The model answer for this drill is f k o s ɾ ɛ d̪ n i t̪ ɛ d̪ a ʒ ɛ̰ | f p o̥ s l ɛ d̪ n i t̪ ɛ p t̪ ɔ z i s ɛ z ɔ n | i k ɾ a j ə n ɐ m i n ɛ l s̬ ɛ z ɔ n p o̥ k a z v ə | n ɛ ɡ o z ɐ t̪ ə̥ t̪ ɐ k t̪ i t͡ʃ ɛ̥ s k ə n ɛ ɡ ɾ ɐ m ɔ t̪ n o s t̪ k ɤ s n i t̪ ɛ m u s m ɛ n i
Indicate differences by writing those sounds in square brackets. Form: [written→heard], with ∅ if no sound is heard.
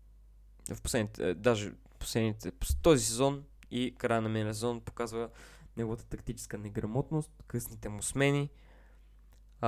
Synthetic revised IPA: f [k→p] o s [ɾ→l] ɛ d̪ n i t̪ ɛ d̪ a ʒ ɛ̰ | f p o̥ s l ɛ d̪ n i t̪ ɛ p t̪ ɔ z i s ɛ z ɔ n | i k ɾ a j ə n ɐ m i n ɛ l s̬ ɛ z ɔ n p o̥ k a z v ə | n ɛ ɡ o [z→v] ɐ t̪ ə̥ t̪ ɐ k t̪ i t͡ʃ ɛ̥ s k ə n ɛ ɡ ɾ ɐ m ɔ t̪ n o s t̪ k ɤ s n i t̪ ɛ m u s m ɛ n i